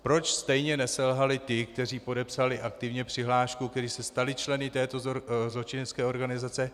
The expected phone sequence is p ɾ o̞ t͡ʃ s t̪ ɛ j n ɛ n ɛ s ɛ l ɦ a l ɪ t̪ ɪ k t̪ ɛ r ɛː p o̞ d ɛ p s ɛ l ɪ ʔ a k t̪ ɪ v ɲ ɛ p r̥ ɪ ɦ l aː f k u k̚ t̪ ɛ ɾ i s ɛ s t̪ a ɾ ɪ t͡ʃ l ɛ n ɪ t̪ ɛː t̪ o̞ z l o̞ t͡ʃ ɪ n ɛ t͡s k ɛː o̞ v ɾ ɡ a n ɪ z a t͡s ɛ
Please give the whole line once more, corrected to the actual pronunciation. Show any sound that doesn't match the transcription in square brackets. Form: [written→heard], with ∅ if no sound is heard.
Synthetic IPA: p ɾ o̞ t͡ʃ s t̪ ɛ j [n→ɲ] ɛ n ɛ s ɛ l ɦ a l ɪ t̪ ɪ k t̪ ɛ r [ɛː→iː] p o̞ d ɛ p s [ɛ→a] l ɪ ʔ a k t̪ ɪ v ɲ ɛ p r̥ ɪ ɦ l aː [f→ʃ] k u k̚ t̪ ɛ ɾ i s ɛ s t̪ a [ɾ→l] ɪ t͡ʃ l ɛ n ɪ t̪ ɛː t̪ o̞ z l o̞ t͡ʃ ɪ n ɛ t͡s k ɛː o̞ [v→∅] ɾ ɡ a n ɪ z a t͡s ɛ